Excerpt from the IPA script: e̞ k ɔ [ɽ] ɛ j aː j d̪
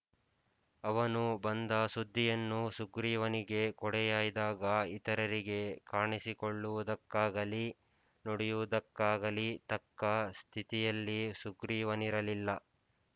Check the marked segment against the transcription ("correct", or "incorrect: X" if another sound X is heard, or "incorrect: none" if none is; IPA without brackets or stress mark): correct